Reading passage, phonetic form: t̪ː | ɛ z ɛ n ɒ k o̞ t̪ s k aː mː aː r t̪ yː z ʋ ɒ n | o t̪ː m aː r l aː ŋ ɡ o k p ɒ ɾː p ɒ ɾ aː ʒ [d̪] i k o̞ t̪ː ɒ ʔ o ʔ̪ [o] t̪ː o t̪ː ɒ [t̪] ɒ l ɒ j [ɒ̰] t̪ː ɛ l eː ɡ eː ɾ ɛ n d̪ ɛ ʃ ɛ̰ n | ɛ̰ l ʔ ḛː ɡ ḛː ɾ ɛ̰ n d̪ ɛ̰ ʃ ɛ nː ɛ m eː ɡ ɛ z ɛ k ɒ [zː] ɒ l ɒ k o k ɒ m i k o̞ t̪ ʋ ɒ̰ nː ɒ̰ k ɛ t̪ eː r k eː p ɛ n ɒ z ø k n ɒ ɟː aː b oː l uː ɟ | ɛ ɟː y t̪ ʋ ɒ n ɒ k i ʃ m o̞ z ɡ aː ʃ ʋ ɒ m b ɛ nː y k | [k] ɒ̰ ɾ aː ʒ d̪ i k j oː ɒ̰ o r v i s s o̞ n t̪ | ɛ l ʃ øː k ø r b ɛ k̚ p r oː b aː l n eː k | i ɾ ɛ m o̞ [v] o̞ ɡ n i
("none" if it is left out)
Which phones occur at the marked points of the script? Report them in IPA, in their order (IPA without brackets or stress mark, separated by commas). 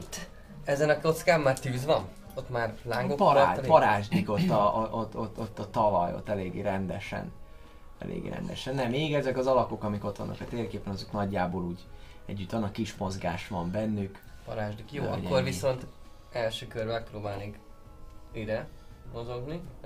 d̪, o, t̪, o̰, z, p, z